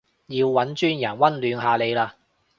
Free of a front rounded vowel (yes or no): no